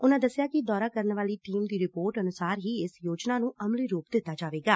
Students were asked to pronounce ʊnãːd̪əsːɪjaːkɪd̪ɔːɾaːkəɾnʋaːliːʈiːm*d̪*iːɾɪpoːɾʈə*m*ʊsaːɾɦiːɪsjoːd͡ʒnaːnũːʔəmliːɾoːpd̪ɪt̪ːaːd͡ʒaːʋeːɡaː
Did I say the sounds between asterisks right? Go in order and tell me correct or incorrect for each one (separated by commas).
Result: correct, incorrect